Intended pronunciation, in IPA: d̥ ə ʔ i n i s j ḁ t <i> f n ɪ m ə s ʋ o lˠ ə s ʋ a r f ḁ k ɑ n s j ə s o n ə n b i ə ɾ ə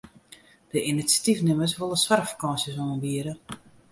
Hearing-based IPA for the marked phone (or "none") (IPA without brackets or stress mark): i